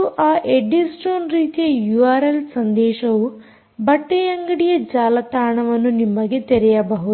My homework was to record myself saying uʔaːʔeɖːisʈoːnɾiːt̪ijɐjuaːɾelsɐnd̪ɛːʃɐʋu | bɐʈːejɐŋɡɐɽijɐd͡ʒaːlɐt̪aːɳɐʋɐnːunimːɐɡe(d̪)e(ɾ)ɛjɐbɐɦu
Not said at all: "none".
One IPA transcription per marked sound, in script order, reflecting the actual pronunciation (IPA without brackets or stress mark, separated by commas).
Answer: t̪, ɾ